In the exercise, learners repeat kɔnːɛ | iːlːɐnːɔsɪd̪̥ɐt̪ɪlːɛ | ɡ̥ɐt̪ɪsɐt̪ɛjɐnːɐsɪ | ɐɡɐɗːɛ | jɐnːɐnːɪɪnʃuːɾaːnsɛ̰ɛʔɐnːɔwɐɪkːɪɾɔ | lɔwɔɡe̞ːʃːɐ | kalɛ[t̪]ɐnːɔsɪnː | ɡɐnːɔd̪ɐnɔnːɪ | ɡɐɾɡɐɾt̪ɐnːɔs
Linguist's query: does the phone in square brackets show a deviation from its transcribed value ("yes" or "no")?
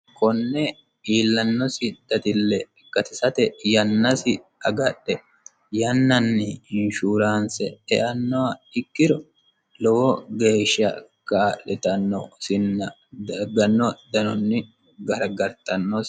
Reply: no